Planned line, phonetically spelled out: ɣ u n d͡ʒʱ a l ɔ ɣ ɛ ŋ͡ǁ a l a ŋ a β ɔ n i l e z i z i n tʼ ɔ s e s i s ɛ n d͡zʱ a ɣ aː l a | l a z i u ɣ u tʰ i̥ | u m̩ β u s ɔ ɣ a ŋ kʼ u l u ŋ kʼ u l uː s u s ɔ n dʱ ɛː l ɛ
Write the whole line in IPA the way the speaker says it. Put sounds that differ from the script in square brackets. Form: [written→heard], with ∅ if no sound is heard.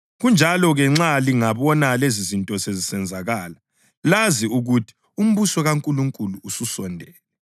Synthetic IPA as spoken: ɣ u n d͡ʒʱ a l ɔ ɣ ɛ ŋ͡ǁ a l [a→i] ŋ a β ɔ n [i→a] l e z i z i n tʼ ɔ s e [s→z] i s ɛ n d͡zʱ a ɣ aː l a | l a z i u ɣ u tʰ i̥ | u m̩ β u s ɔ ɣ a ŋ kʼ u l u ŋ kʼ u l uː s u s ɔ n dʱ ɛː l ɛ

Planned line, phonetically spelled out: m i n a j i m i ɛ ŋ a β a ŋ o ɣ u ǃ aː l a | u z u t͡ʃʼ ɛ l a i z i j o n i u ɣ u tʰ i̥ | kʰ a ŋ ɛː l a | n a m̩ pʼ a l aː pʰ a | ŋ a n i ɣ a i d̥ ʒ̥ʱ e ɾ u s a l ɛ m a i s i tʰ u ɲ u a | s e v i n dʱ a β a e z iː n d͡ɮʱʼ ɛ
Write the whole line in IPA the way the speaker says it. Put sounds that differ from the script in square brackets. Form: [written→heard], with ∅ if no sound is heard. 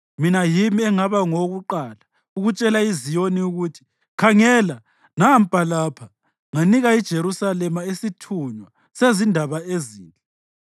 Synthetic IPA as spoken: m i n a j i m i ɛ ŋ a β a ŋ o ɣ u ǃ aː l a | u [z→ɣ] u t͡ʃʼ ɛ l a i z i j o n i u ɣ u tʰ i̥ | kʰ a ŋ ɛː l a | n a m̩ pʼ a l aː pʰ a | ŋ a n i ɣ a i d̥ ʒ̥ʱ e ɾ u s a l ɛ m a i s i tʰ u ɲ [u→w] a | s e [v→z] i n dʱ a β a e z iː n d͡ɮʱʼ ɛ

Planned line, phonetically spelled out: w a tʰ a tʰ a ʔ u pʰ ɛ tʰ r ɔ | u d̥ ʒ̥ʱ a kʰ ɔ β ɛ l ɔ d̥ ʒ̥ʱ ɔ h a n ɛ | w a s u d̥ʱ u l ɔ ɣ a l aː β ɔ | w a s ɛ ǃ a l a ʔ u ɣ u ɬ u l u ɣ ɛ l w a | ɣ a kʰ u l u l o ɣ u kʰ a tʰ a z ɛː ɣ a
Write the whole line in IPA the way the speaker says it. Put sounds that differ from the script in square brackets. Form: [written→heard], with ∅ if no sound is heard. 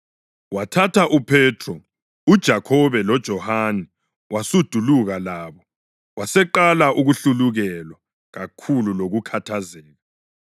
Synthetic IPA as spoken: w a tʰ a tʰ a ʔ u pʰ ɛ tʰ r ɔ | u d̥ ʒ̥ʱ a kʰ ɔ β ɛ l ɔ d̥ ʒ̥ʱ ɔ h a n ɛ | w a s u d̥ʱ u l [ɔ→u] ɣ a l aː β ɔ | w a s ɛ ǃ a l a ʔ u ɣ u ɬ u l u ɣ ɛ l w a | ɣ a kʰ u l u l o ɣ u kʰ a tʰ a z ɛː ɣ a

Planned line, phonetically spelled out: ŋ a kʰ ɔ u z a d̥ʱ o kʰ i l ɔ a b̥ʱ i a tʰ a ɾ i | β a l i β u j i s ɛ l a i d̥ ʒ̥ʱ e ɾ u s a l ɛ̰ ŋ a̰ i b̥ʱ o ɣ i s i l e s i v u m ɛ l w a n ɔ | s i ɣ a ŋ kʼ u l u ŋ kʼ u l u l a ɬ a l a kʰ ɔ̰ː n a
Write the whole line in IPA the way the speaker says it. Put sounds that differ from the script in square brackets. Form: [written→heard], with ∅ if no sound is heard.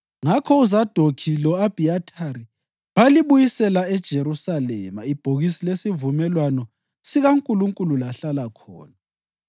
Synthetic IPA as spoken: ŋ a kʰ ɔ u z a d̥ʱ o kʰ i l ɔ a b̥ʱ i a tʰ a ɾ i | β a l i β u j i s ɛ l a [i→ɛ] d̥ ʒ̥ʱ e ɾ u s a l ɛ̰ [ŋ→m] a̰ i b̥ʱ o ɣ i s i l e s i v u m ɛ l w a n ɔ | s i ɣ a ŋ kʼ u l u ŋ kʼ u l u l a ɬ a l a kʰ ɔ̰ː n a

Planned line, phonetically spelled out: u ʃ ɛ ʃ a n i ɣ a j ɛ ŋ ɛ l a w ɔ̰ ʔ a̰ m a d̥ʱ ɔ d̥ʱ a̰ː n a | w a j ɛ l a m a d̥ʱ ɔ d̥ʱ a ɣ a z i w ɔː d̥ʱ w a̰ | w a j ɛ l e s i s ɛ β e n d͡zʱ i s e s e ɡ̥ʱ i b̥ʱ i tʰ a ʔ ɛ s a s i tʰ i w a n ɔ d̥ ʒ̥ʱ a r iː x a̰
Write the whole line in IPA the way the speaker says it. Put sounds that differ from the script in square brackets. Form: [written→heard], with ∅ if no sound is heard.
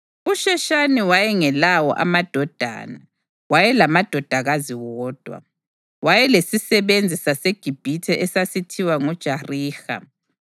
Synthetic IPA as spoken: u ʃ ɛ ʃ a n i [ɣ→w] a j ɛ ŋ ɛ l a w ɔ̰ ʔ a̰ m a d̥ʱ ɔ d̥ʱ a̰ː n a | w a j ɛ l a m a d̥ʱ ɔ d̥ʱ a ɣ a z i w ɔː d̥ʱ w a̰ | w a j ɛ l e s i s ɛ β e n d͡zʱ i s [e→a] s e ɡ̥ʱ i b̥ʱ i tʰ [a→ɛ] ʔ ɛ s a s i tʰ i w a [n→ŋ] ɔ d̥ ʒ̥ʱ a r iː x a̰

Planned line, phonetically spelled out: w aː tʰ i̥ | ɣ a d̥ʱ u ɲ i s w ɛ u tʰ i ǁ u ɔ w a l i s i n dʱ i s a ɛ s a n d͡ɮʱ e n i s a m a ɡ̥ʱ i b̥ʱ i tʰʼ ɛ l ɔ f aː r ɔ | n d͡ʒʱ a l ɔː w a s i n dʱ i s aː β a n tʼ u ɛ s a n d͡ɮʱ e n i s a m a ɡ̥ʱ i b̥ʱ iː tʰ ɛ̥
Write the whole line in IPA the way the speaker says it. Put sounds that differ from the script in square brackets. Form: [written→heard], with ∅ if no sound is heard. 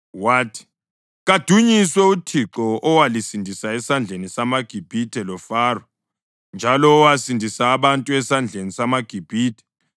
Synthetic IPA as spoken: w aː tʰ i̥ | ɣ a d̥ʱ u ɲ i s w ɛ u tʰ i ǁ [u→ɔ] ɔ w a l i s i n dʱ i s a ɛ s a n d͡ɮʱ e n i s a m a ɡ̥ʱ i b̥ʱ i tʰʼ ɛ l ɔ f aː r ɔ | n d͡ʒʱ a l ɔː w a s i n dʱ i s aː β a n tʼ u ɛ s a n d͡ɮʱ e n i s a m a ɡ̥ʱ i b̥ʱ iː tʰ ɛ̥

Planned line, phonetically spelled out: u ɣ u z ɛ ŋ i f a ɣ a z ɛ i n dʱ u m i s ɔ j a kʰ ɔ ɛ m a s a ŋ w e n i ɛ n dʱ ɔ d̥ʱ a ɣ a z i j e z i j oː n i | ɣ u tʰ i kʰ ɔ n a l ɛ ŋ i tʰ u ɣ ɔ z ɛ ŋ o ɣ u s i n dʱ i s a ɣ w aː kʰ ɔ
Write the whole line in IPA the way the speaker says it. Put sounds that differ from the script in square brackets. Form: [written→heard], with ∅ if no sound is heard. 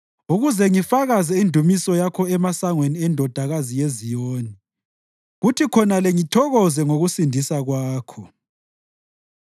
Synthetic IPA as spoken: u ɣ u z ɛ ŋ i f a ɣ a z ɛ i n dʱ u m i s ɔ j a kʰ ɔ ɛ m a s a ŋ w e n i ɛ n dʱ ɔ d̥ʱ a ɣ a z i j e z i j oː n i | ɣ u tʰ i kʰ ɔ n a l ɛ ŋ i tʰ [u→ɔ] ɣ ɔ z ɛ ŋ o ɣ u s i n dʱ i s a ɣ w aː kʰ ɔ

